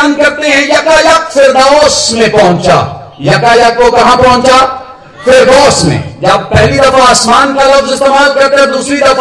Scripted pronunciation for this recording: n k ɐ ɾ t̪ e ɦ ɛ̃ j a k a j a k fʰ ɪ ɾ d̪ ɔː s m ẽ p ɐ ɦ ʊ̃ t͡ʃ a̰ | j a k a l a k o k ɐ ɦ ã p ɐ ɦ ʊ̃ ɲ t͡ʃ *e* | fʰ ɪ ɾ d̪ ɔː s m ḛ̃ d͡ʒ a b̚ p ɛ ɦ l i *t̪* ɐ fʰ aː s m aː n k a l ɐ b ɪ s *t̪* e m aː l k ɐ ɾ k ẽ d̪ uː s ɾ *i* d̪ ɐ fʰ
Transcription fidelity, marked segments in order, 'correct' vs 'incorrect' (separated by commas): incorrect, incorrect, correct, correct